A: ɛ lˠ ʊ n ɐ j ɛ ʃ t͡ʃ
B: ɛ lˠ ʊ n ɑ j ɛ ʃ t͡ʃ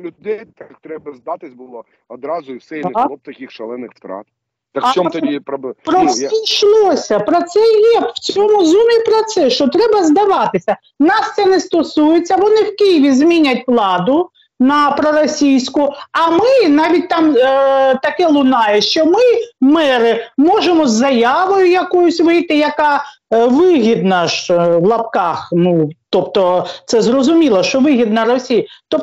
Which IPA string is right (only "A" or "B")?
B